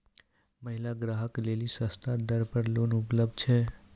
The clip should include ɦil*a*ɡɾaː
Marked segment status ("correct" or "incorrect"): correct